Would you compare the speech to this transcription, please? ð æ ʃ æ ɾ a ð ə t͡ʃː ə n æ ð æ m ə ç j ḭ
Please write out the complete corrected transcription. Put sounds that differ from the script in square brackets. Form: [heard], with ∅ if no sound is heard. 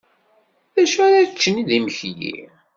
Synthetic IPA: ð æ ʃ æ ɾ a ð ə t͡ʃː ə n [i] ð [i] m ə ç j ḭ